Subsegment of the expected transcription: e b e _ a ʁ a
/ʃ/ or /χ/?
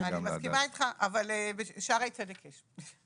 ʃ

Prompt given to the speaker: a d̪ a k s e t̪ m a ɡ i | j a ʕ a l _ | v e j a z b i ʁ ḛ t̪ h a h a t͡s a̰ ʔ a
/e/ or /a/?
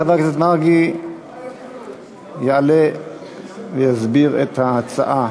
e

